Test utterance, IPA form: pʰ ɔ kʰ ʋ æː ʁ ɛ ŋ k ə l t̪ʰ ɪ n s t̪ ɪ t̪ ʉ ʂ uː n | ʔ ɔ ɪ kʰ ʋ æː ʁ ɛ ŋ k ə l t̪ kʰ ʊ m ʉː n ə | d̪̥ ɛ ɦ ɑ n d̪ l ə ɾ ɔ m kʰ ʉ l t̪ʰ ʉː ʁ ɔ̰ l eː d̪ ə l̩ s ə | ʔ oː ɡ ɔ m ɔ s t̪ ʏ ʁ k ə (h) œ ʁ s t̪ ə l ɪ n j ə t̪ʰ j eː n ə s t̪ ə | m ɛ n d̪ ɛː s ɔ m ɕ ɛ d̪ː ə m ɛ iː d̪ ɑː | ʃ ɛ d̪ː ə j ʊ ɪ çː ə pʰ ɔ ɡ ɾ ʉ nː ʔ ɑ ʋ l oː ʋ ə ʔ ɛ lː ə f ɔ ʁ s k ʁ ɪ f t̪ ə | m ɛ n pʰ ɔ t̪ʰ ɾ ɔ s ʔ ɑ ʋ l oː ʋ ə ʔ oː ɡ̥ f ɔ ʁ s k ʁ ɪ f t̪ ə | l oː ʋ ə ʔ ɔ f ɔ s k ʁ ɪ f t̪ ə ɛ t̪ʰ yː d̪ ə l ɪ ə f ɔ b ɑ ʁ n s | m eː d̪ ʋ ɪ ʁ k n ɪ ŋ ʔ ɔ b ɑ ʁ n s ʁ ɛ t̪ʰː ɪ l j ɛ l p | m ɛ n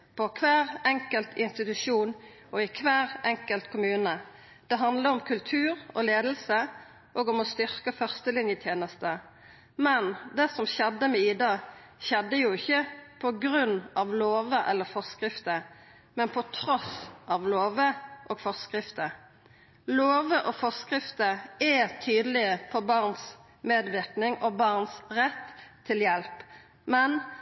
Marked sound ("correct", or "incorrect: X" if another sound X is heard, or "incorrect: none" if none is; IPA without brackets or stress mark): incorrect: f